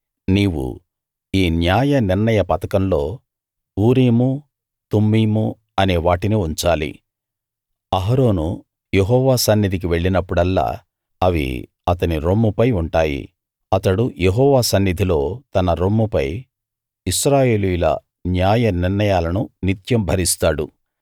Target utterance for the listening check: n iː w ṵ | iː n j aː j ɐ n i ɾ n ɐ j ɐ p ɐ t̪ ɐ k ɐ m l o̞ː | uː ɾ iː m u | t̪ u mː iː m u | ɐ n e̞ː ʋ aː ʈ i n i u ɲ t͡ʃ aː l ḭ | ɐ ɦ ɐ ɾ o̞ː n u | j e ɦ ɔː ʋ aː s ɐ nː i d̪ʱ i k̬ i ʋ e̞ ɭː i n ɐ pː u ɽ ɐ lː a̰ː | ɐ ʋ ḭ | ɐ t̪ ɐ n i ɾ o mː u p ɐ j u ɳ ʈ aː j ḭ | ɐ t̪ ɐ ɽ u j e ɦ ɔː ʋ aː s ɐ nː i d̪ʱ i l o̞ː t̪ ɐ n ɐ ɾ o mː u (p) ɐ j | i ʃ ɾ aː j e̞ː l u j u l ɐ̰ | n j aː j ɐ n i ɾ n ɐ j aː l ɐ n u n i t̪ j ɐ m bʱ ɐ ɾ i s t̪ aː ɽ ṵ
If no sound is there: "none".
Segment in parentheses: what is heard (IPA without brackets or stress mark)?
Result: p